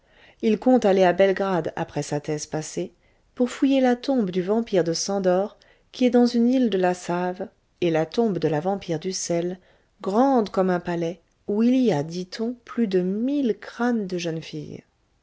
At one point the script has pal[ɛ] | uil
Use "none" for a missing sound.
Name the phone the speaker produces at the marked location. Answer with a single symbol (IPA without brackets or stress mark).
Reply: ɛ